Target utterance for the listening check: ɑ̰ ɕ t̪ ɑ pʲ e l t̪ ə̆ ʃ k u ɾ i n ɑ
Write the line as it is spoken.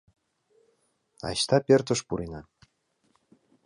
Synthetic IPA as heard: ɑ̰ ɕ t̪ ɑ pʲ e r t̪ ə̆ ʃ p u ɾ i n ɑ